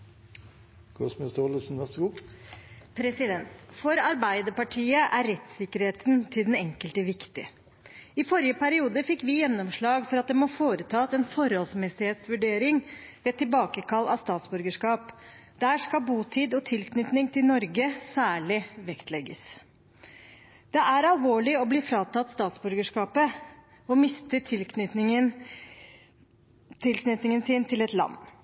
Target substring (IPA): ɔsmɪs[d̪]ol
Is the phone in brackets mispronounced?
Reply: yes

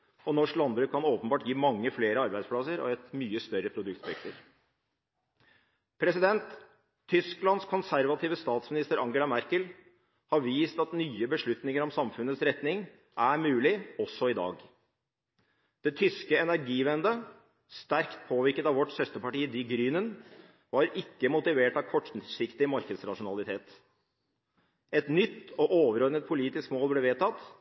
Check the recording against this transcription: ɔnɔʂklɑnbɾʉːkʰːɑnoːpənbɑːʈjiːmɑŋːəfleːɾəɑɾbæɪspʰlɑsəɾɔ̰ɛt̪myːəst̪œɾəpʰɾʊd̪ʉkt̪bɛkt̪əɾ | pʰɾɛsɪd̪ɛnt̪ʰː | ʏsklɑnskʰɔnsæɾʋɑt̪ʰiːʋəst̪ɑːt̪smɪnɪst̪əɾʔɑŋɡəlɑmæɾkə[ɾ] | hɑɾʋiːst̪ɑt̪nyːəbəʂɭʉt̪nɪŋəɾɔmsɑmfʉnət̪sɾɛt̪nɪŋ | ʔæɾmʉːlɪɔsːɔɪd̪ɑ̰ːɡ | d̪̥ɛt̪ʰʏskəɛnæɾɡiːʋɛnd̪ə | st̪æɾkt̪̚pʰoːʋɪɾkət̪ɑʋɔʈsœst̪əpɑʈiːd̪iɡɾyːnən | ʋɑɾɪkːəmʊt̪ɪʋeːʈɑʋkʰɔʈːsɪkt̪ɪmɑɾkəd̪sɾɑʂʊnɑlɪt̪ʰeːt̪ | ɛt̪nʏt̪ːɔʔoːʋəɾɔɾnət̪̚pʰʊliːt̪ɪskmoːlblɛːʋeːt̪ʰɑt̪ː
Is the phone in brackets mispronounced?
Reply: yes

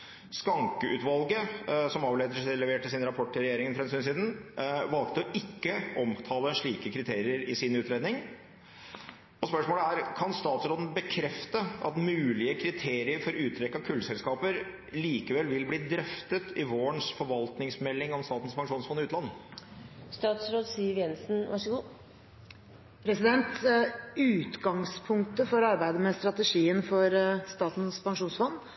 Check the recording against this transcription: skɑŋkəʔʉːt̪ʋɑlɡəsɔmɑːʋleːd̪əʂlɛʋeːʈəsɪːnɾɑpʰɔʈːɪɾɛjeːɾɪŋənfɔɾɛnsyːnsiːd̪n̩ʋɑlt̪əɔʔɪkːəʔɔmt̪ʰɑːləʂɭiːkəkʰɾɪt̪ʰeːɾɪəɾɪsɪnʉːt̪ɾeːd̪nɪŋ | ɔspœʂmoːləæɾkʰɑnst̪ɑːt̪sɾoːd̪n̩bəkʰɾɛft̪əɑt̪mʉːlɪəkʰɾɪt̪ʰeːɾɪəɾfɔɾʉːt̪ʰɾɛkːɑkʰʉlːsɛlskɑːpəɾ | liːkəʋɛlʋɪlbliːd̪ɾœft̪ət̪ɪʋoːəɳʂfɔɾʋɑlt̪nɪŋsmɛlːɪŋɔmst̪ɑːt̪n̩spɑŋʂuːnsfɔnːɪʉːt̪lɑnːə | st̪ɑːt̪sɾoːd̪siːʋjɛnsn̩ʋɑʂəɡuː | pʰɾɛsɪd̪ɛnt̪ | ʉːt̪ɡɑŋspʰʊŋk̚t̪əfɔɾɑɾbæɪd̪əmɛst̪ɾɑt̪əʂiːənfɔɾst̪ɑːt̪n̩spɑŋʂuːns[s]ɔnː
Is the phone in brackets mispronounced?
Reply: yes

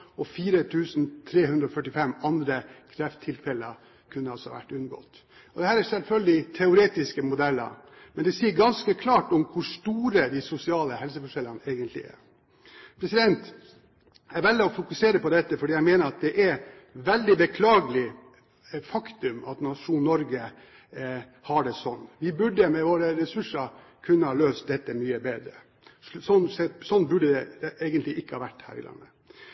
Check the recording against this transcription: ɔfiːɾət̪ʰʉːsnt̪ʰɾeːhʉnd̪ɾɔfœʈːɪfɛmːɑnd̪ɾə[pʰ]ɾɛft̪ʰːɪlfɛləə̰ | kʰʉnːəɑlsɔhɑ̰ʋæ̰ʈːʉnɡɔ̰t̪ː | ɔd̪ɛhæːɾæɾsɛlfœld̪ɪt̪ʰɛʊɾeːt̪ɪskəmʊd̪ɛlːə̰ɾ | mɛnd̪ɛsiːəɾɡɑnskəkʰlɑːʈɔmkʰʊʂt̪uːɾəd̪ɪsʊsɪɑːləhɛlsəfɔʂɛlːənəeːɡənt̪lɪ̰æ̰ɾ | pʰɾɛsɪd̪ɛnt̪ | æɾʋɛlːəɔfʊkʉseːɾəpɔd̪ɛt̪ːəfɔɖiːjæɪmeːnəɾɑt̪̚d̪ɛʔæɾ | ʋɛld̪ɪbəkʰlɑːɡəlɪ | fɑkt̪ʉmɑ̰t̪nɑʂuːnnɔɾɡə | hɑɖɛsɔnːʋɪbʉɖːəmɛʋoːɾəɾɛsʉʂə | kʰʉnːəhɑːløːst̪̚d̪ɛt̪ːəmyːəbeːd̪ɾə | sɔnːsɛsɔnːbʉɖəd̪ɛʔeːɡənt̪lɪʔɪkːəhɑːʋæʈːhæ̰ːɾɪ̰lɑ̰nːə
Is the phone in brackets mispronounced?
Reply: yes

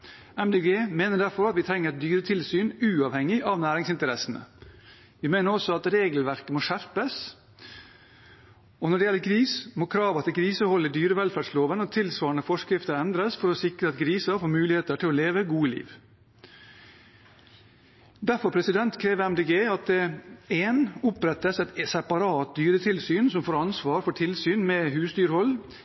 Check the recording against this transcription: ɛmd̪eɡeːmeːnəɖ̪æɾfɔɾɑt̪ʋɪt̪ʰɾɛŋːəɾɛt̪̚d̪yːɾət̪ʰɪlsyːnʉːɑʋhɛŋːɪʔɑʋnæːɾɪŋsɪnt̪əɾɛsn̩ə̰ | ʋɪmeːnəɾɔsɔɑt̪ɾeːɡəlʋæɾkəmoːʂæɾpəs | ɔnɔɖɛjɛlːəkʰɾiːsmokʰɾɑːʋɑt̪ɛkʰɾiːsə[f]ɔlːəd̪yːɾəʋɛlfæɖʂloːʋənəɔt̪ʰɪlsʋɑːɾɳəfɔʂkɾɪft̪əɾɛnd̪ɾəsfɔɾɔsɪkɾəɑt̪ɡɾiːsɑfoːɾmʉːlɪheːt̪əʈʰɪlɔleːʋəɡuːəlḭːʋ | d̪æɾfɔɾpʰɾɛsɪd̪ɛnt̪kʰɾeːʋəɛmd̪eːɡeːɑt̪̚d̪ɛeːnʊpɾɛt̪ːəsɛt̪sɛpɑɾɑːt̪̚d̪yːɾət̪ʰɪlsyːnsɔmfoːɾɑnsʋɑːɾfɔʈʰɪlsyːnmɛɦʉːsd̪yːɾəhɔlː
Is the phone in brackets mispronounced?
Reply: yes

